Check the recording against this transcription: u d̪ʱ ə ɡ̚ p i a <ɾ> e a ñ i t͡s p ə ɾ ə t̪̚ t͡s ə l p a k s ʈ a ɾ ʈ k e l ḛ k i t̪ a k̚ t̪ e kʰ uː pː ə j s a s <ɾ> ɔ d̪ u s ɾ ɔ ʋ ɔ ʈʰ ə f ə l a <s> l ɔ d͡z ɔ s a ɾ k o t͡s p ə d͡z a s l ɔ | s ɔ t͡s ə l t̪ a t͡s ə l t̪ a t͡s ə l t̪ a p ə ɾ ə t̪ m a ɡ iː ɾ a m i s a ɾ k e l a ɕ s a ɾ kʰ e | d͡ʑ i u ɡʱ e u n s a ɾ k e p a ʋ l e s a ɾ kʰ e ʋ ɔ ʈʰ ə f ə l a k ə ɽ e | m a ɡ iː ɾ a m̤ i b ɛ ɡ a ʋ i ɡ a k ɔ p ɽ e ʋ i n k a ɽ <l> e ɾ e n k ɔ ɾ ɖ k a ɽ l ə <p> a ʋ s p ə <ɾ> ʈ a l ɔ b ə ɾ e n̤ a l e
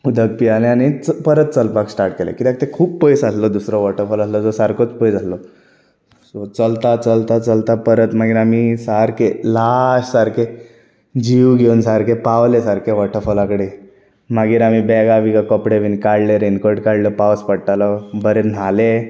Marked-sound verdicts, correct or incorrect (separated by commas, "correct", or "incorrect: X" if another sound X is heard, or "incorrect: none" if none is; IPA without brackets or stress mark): incorrect: l, incorrect: l, correct, correct, correct, incorrect: ɽ